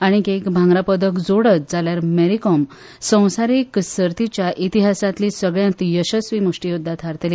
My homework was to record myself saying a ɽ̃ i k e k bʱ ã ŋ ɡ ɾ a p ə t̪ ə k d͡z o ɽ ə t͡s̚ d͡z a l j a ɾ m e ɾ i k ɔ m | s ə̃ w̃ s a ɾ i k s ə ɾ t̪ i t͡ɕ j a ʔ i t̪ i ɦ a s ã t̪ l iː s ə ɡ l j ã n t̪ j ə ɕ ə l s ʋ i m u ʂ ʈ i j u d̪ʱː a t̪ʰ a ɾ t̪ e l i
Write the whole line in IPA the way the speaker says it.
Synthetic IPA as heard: a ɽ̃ i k e k bʱ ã ŋ ɡ ɾ a p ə d̪ ə k d͡z o ɽ ə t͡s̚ d͡z a l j a ɾ m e ɾ i k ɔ m | s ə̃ w̃ s a ɾ i k s ə ɾ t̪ i t͡ɕ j a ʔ i t̪ i ɦ a s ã t̪ l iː s ə ɡ ɭ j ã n t̪ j ə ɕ ə s ʋ i m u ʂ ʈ i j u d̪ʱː a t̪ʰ a ɾ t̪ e l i

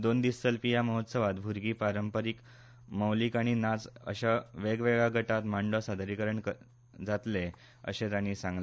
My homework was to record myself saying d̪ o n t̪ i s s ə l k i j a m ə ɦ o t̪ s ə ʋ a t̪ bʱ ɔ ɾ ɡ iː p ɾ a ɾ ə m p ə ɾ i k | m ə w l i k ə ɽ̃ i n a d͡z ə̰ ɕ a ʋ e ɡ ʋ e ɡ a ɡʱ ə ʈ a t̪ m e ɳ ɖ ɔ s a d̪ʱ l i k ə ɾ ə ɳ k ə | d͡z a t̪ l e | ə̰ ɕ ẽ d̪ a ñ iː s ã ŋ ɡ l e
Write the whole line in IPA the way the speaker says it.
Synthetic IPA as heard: d̪ o n d̪ i s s ə l p i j a m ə ɦ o t̪ s ə ʋ a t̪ bʱ u ɾ ɡ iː p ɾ a ɾ ə m p ə ɾ i k | m ə w l i k a ɽ̃ i n a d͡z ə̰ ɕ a ʋ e ɡ ʋ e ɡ a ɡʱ ə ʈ a t̪ m a ɳ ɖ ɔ s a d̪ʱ ɾ i k ə ɾ ə ɳ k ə | d͡z a t̪ l e | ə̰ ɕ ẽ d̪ a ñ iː s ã ŋ ɡ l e

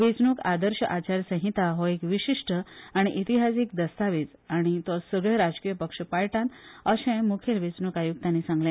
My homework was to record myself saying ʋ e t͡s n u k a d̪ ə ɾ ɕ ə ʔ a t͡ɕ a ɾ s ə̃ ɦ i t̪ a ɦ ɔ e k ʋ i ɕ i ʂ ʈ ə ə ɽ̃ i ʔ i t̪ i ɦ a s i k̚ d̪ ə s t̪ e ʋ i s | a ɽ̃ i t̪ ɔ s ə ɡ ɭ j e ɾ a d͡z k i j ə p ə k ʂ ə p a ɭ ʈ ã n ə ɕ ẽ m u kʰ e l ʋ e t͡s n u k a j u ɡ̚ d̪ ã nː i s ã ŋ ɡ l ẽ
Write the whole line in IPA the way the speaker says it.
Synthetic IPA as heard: ʋ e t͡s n u k a d̪ ə ɾ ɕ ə ʔ a t͡ɕ a ɾ s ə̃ ɦ i t̪ a ɦ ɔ e k ʋ i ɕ i ʂ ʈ ə a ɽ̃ i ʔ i t̪ i ɦ a s i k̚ d̪ ə s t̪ a ʋ i t͡s | a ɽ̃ i t̪ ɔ s ə ɡ ɭ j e ɾ a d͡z k i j ə p ə k ʂ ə p a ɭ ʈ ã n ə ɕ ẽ m u kʰ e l ʋ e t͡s n u k a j u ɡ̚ t̪ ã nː i s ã ŋ ɡ l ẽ

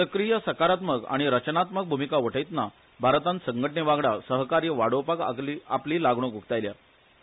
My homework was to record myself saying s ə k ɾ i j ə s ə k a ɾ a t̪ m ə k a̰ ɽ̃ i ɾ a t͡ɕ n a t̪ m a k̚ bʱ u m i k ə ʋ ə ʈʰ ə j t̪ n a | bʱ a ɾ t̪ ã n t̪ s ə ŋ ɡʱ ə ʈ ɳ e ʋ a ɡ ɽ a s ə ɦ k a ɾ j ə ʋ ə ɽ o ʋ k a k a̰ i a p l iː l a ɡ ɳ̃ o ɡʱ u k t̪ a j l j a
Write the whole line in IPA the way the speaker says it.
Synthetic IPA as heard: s ə k ɾ i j ə s ə k a ɾ a t̪ m ə k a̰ ɽ̃ i ɾ ə t͡ɕ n a t̪ m ə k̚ bʱ u m i k a ʋ ə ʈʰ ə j t̪ n a | bʱ a ɾ t̪ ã n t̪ s ə ŋ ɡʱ ə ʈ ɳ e ʋ a ɡ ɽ a s ə ɦ k a ɾ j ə ʋ a ɽ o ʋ p a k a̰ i a p l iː l a ɡ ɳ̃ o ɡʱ u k t̪ a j l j a

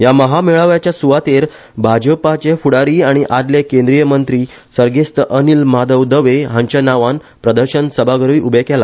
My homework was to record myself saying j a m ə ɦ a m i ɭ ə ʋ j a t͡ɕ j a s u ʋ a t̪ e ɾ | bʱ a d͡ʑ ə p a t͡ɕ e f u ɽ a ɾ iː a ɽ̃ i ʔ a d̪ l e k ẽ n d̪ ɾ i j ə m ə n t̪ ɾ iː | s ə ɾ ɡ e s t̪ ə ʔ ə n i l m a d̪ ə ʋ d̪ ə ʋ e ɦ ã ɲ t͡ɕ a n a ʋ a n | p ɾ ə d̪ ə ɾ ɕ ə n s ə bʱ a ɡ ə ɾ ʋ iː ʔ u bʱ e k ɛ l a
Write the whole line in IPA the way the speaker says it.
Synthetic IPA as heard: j a m ə ɦ a m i ɭ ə ʋ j a t͡ɕ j a s u ʋ a t̪ e ɾ | bʱ a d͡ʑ ə p a t͡ɕ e f u ɽ a ɾ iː a ɽ̃ i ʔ a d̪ l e k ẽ n d̪ ɾ i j ə m ə n t̪ ɾ iː | s ə ɾ ɡ e s t̪ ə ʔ ə n i l m a d̪ ə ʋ d̪ ə ʋ e ɦ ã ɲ t͡ɕ a n a ʋ a n | p ɾ ə d̪ ə ɾ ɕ ə n s ə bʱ a ɡ ə ɾ ʋ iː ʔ u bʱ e k ɛ l a

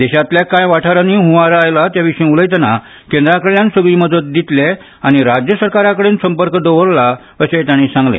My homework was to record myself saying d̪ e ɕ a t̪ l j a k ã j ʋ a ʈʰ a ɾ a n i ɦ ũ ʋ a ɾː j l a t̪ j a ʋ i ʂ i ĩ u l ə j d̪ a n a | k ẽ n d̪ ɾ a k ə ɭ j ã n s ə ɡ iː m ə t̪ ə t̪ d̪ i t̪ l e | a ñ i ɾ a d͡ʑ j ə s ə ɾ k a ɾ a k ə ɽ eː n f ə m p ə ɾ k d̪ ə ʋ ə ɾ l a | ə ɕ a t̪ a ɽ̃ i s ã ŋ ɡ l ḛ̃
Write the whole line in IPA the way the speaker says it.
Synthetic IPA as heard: d̪ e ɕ a t̪ l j a k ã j ʋ a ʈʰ a ɾ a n i ɦ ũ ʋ a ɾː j l a t̪ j a ʋ i ʂ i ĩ u l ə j t̪ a n a | k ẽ n d̪ ɾ a k ə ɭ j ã n s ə ɡ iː m ə d̪ ə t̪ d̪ i t̪ l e | a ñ i ɾ a d͡ʑ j ə s ə ɾ k a ɾ a k ə ɽ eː n s ə m p ə ɾ k d̪ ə ʋ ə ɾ l a | ə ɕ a t̪ a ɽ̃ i s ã ŋ ɡ l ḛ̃

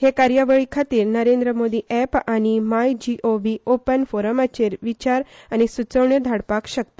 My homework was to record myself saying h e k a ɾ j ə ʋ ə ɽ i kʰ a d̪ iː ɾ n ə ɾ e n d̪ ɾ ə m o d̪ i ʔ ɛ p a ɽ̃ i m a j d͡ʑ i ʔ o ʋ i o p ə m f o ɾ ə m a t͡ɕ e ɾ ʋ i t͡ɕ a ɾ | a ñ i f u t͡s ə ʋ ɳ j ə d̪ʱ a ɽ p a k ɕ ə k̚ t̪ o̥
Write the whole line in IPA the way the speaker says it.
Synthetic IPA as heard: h e k a ɾ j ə ʋ ə ɭ i kʰ a t̪ iː ɾ n ə ɾ e n d̪ ɾ ə m o d̪ i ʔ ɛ p a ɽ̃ i m a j d͡ʑ i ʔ o ʋ i o p ə n f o ɾ ə m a t͡ɕ e ɾ ʋ i t͡ɕ a ɾ | a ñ i s u t͡s ə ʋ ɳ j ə d̪ʱ a ɽ p a k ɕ ə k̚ t̪ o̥

